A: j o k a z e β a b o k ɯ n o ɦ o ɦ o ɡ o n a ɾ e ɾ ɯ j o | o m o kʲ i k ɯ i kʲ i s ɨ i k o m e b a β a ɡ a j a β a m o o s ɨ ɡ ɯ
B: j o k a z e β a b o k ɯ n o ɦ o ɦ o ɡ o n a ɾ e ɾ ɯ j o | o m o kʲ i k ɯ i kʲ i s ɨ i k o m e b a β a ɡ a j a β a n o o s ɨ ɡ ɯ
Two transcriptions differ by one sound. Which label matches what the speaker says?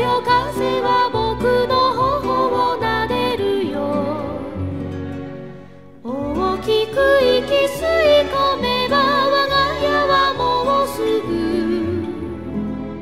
A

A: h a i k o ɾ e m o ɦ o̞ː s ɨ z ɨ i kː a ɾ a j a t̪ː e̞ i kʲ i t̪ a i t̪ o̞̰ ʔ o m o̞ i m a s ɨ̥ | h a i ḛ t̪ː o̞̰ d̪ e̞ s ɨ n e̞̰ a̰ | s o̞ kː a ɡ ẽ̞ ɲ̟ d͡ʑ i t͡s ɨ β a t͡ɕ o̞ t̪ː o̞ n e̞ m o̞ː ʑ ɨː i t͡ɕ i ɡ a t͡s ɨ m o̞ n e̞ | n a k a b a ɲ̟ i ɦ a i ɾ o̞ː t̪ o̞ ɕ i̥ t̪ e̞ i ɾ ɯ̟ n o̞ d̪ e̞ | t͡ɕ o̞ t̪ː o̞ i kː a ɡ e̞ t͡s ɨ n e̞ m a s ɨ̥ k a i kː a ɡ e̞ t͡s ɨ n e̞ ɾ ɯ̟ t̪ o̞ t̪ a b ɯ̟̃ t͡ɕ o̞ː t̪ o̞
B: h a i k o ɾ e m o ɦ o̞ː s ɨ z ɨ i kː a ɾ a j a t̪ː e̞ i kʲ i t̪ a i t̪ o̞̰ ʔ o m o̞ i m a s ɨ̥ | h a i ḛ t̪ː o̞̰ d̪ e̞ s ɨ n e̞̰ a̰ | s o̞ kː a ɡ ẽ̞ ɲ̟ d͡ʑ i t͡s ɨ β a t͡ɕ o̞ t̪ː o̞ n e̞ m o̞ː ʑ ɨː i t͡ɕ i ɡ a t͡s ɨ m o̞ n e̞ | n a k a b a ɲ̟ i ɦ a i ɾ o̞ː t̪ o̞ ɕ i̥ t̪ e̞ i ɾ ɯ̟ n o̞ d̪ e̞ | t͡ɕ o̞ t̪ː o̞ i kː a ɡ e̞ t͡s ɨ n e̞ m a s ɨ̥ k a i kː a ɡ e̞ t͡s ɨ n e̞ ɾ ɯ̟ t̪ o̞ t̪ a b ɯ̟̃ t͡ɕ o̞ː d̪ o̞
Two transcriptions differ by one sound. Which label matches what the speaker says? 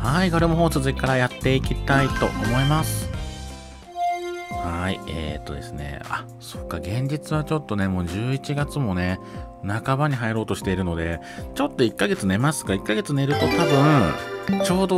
B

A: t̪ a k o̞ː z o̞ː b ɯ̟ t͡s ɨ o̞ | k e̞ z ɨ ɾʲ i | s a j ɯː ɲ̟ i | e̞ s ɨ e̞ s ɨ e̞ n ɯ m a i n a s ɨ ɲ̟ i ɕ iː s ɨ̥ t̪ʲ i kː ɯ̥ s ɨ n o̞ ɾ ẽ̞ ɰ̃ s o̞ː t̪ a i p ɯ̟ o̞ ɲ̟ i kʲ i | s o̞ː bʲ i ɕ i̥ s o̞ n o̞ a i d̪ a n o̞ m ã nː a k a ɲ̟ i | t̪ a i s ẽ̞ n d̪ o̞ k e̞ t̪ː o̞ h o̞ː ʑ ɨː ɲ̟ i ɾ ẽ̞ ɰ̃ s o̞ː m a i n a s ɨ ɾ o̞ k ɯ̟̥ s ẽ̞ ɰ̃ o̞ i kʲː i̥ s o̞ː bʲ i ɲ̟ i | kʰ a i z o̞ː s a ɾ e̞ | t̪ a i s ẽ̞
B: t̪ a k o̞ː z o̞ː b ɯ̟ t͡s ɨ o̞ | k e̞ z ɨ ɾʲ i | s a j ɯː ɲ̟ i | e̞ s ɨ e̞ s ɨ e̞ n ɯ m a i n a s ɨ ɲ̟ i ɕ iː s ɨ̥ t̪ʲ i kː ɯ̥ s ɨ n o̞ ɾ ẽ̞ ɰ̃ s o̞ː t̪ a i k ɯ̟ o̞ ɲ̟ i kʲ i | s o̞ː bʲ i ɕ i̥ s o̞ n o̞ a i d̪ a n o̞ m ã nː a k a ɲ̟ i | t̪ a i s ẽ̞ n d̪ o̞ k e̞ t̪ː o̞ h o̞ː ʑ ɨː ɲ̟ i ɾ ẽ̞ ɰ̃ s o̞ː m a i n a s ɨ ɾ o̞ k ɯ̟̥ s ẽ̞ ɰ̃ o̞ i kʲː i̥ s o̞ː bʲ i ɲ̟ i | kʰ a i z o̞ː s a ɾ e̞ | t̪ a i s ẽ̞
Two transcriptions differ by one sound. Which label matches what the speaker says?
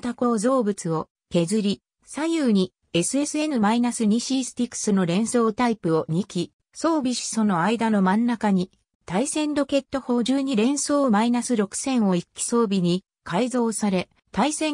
A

